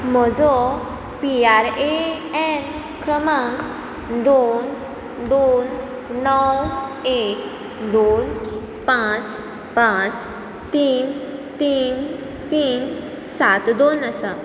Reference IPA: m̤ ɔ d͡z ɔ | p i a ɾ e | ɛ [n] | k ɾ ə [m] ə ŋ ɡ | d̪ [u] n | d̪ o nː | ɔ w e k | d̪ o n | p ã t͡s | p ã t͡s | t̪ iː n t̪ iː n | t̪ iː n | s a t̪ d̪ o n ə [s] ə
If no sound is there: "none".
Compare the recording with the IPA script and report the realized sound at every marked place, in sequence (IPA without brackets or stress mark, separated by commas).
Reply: n, m, o, s